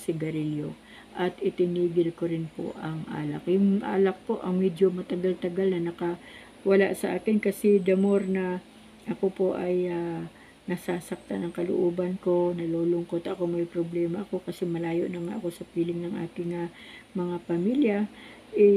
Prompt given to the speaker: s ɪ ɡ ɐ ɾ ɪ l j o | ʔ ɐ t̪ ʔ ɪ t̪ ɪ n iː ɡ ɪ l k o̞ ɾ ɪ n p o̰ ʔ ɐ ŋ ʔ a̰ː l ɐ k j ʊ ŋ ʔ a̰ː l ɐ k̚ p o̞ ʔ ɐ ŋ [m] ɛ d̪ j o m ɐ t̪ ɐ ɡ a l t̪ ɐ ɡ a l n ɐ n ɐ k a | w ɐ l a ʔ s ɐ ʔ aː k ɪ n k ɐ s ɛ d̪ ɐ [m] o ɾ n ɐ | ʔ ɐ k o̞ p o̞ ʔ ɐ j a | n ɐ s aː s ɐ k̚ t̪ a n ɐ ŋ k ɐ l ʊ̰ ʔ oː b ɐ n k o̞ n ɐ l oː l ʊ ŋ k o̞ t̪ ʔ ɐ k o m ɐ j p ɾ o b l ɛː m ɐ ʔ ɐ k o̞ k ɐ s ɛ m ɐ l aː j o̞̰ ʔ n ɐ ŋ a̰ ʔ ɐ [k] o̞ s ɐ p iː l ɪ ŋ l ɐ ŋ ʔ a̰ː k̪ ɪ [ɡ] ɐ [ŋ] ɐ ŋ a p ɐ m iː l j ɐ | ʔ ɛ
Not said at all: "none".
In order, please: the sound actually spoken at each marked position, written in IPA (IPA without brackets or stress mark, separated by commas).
m, m, k, ŋ, m